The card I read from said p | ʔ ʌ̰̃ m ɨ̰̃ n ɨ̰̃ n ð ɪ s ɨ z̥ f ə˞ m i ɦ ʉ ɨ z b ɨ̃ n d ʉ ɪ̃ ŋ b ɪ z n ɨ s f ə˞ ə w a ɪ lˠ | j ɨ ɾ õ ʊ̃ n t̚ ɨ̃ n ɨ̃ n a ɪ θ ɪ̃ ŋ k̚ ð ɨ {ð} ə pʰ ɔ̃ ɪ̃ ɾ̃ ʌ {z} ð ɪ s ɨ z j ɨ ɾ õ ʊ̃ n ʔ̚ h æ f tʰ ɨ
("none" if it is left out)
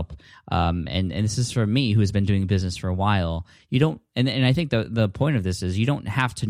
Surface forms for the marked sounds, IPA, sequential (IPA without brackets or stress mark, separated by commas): ð, v